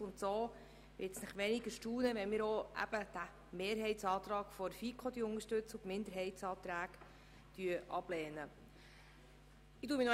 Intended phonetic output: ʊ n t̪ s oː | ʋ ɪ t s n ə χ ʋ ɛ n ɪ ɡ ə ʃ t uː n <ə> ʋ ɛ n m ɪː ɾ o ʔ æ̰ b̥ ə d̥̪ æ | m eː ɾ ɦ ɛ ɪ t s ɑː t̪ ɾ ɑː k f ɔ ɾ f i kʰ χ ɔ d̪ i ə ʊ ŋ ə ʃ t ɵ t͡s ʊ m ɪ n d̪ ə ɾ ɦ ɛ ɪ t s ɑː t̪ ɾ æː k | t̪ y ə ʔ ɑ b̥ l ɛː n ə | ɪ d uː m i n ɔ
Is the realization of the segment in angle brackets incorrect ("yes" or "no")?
no